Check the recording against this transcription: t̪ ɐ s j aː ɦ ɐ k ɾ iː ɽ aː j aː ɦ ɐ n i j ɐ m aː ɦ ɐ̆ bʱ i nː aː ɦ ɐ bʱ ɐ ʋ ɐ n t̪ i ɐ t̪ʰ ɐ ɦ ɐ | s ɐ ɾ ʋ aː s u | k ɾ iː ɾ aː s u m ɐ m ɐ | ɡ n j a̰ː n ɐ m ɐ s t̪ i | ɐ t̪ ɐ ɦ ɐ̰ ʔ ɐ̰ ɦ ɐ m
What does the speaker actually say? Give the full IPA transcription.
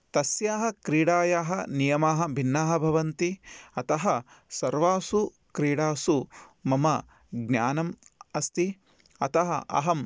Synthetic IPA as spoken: t̪ ɐ s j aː ɦ ɐ k ɾ iː ɽ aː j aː ɦ ɐ n i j ɐ m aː ɦ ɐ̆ bʱ i nː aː ɦ ɐ bʱ ɐ ʋ ɐ n t̪ i ɐ t̪ ɐ ɦ ɐ | s ɐ ɾ ʋ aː s u | k ɾ iː ɽ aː s u m ɐ m ɐ | ɡ n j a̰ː n ɐ m ɐ s t̪ i | ɐ t̪ ɐ ɦ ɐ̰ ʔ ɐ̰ ɦ ɐ m